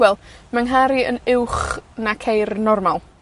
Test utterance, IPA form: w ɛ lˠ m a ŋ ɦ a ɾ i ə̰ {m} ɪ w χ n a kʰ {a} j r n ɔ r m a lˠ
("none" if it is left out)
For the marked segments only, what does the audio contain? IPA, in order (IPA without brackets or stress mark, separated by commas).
n, e